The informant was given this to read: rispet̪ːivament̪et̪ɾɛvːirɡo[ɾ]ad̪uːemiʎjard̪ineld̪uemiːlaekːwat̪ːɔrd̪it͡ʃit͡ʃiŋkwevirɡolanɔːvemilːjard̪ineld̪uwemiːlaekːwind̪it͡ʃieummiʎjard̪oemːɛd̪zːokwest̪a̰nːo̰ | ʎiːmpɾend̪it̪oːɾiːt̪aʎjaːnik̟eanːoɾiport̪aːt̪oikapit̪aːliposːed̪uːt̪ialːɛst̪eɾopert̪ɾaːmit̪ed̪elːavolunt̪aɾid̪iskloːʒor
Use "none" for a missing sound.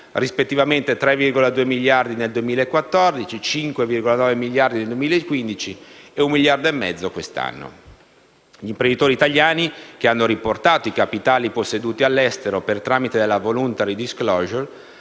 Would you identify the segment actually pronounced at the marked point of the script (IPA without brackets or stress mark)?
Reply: l